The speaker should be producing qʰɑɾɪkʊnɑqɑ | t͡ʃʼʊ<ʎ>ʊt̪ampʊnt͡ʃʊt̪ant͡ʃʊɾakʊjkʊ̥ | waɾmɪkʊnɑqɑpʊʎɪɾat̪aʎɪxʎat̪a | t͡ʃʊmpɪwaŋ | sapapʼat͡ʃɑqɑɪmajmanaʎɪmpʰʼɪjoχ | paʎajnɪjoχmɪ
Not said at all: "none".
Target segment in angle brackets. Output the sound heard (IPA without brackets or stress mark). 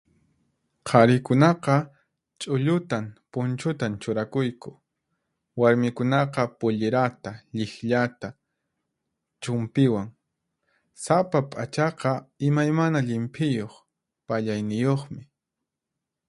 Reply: ʎ